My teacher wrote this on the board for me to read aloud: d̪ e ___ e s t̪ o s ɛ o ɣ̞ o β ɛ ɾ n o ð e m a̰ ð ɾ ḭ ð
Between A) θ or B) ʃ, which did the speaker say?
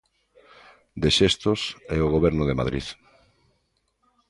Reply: B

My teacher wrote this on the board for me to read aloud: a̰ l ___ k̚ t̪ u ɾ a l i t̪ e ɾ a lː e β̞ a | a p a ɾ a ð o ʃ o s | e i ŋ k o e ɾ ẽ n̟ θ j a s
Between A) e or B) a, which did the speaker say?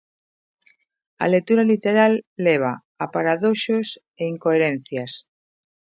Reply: A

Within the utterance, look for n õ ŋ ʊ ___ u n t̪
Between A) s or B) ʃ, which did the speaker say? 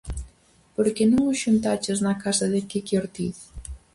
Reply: B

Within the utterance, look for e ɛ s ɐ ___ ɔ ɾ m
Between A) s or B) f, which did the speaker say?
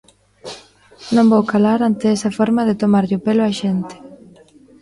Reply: B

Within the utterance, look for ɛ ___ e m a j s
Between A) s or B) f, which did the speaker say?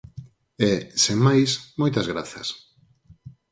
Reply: A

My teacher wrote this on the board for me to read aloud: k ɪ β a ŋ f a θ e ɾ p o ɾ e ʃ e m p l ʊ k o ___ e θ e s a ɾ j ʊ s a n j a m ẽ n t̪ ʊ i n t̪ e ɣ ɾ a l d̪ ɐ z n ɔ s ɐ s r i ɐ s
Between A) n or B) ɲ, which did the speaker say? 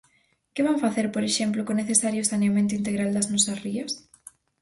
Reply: A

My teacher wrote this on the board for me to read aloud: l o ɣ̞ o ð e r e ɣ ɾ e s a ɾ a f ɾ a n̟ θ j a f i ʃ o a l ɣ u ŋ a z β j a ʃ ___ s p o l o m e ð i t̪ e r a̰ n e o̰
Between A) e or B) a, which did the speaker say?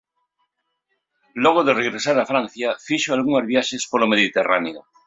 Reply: A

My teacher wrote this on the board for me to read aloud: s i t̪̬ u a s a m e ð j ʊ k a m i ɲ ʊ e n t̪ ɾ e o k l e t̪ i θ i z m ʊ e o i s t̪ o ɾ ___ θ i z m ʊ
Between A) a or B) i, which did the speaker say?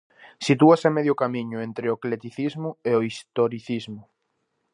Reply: B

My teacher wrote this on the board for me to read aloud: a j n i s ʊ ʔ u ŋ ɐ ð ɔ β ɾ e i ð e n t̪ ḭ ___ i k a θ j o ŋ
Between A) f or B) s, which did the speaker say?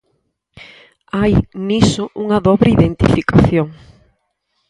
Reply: A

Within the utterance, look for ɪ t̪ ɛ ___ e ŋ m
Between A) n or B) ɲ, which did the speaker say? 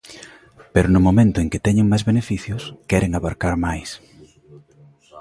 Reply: B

